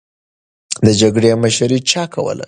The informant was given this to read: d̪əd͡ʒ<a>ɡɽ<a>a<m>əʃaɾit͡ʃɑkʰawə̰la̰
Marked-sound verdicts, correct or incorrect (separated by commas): correct, incorrect, correct